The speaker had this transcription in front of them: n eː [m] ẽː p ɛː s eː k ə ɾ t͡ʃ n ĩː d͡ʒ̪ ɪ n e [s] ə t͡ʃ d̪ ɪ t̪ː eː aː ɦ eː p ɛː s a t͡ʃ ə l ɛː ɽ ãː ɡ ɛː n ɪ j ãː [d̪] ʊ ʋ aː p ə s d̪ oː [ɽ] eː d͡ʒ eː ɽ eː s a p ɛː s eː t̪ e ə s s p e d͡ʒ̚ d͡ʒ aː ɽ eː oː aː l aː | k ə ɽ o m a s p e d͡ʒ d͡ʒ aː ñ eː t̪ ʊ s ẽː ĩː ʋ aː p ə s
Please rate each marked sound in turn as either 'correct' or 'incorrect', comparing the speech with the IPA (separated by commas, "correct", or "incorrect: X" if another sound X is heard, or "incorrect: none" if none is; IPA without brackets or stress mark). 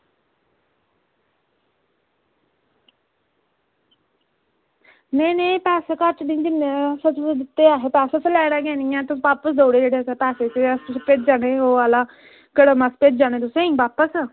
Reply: incorrect: n, correct, incorrect: t̪, correct